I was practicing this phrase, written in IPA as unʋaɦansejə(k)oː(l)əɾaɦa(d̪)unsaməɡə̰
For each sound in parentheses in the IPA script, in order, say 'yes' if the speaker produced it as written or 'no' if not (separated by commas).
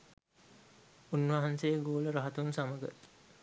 no, yes, no